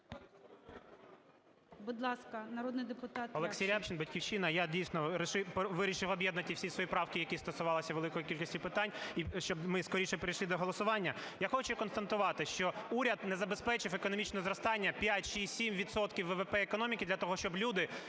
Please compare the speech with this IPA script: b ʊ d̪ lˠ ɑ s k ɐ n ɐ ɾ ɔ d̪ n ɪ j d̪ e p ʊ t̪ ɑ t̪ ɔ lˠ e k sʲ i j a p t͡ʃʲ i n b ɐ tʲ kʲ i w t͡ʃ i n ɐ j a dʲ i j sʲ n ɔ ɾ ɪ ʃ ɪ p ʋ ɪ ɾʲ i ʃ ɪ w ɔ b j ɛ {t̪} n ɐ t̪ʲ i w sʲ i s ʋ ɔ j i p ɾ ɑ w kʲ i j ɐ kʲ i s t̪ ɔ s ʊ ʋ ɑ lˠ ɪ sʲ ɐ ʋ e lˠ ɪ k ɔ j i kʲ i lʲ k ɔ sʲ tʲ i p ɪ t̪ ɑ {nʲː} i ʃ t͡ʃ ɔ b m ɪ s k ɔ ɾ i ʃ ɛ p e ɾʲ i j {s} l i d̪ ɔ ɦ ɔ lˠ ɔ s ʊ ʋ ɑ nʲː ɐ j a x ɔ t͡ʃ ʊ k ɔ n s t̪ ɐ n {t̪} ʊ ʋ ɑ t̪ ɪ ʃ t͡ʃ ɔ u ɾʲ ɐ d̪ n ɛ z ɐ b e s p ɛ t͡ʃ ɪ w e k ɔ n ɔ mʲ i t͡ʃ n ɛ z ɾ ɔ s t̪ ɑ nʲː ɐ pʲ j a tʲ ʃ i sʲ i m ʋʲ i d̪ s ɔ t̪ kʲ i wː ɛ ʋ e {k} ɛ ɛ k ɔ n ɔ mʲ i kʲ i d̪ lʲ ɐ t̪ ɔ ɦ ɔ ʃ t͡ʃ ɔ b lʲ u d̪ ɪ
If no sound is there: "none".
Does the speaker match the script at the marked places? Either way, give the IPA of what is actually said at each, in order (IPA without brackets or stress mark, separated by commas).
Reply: d̪, nʲ, ʃ, t̪, p